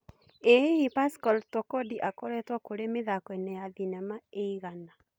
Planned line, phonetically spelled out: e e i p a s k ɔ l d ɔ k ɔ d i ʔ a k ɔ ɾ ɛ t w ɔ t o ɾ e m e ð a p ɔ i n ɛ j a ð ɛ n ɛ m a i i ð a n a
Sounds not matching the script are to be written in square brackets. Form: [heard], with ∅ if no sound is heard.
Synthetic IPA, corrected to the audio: e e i p a s k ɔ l [t] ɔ k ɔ d i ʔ a k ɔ ɾ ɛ t w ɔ [k] o ɾ e m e ð a [k] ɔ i n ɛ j a ð [i] n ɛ m a [e] i [ɣ] a n a